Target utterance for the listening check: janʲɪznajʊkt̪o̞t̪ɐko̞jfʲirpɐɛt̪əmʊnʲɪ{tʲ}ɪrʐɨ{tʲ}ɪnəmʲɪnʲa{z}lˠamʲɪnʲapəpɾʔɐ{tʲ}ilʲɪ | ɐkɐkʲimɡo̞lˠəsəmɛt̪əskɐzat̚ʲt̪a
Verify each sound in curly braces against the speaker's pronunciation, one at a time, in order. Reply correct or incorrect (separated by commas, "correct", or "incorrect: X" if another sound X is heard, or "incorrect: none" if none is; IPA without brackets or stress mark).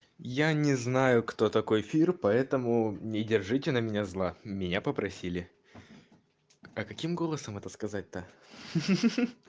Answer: incorrect: dʲ, correct, correct, incorrect: sʲ